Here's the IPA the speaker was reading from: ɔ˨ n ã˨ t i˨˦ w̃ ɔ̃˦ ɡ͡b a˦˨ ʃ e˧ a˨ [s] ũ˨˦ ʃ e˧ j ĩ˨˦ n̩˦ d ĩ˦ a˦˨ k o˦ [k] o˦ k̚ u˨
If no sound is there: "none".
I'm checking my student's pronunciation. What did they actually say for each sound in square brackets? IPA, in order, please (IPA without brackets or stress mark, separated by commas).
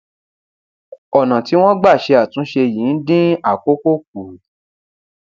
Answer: t, k